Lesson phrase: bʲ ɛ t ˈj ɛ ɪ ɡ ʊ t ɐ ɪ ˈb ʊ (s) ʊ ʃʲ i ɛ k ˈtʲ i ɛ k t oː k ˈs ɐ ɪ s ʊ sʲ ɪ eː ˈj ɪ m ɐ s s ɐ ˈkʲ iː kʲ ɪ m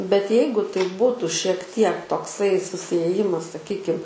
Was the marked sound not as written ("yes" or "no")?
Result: yes